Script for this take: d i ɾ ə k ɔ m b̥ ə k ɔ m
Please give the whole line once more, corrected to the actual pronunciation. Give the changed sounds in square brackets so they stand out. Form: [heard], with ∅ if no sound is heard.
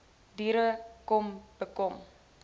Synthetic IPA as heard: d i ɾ ə k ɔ m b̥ ə k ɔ m

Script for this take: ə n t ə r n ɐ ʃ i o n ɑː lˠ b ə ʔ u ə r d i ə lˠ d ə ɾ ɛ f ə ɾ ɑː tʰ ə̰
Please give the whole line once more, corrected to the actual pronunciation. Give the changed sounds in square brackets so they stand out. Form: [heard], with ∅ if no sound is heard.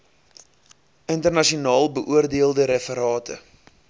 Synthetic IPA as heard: ə n t ə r n ɐ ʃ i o n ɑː lˠ b ə ʔ u ə r d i ə lˠ d ə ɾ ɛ f ə ɾ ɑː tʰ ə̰

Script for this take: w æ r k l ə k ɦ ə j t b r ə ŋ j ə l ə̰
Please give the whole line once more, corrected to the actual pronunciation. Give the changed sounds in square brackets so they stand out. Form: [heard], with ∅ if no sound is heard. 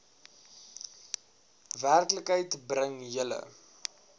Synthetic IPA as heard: [v] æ r k l ə k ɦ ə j t b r ə ŋ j ə l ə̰

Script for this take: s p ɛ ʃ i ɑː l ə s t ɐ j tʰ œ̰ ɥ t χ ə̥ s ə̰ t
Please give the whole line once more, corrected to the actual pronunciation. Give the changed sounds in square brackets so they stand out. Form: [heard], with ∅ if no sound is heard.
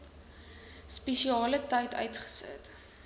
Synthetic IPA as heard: s p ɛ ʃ i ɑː l ə [∅] t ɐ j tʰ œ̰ ɥ t χ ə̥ s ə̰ t

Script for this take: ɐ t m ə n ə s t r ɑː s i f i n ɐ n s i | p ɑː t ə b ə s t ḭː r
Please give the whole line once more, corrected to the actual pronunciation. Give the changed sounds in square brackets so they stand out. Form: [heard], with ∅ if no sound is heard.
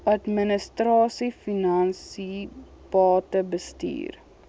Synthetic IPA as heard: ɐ t m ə n ə s t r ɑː s i f i n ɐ n s i | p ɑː t ə b ə s t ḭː r

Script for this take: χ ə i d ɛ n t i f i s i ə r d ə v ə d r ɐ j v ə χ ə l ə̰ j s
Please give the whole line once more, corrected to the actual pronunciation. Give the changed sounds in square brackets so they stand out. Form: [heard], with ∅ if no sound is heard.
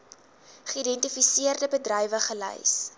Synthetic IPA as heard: χ ə i d ɛ n t i f i s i ə r d ə [b] ə d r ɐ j v ə χ ə l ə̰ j s

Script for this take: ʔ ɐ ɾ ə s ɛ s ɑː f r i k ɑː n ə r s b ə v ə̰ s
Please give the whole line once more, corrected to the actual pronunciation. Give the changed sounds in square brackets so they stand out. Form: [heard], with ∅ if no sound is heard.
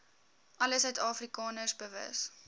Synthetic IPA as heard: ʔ ɐ [l] ə s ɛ [t] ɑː f r i k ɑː n ə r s b ə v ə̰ s

